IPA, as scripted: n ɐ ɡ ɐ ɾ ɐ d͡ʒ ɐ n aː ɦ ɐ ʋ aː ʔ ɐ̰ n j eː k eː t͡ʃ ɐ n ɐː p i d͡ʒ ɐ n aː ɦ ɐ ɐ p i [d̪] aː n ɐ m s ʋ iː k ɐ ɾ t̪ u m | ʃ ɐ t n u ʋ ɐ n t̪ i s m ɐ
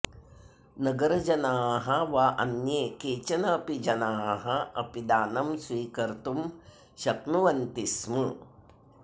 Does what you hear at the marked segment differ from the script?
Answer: no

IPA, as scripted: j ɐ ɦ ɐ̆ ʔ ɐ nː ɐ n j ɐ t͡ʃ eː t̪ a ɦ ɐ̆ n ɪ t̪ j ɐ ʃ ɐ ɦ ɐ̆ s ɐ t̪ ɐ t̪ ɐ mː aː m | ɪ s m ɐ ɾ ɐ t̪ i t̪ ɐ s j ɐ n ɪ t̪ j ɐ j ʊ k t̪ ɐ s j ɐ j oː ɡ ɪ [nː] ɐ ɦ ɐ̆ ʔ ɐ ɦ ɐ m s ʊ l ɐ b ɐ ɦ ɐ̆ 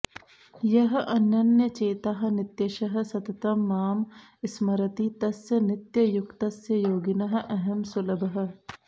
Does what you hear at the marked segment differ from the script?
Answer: yes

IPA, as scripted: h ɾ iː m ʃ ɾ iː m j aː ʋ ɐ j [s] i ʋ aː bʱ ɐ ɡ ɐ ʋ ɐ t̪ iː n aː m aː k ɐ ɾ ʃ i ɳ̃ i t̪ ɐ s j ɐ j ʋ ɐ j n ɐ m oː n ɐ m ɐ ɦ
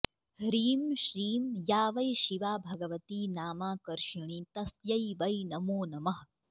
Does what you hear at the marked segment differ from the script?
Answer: yes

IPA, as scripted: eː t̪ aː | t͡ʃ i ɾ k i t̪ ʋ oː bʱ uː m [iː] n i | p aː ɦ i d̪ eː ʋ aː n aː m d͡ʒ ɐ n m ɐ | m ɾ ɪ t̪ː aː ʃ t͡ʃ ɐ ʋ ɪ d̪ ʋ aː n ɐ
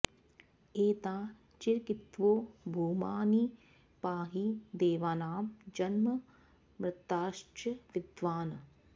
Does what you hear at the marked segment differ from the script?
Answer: yes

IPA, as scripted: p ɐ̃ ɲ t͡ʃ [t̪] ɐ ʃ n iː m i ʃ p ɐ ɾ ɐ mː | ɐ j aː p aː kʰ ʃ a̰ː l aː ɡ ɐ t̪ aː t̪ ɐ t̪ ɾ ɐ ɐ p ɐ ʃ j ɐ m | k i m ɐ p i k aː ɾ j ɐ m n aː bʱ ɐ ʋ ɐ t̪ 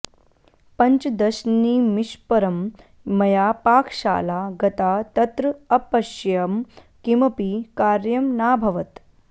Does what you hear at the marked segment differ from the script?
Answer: yes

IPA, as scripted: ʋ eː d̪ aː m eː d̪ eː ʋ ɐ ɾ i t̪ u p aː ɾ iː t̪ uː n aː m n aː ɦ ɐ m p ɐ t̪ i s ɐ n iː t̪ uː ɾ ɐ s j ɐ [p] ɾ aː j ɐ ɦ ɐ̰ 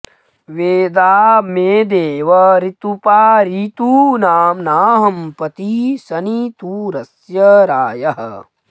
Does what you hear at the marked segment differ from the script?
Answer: yes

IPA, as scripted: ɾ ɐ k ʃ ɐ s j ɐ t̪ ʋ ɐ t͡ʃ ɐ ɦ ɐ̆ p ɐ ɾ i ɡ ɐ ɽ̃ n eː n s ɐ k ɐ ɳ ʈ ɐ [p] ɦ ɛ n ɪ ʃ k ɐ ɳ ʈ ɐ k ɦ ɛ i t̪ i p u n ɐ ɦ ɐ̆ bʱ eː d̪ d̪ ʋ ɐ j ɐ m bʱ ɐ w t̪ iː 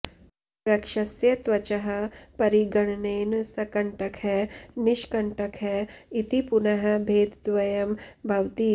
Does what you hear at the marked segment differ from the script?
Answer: yes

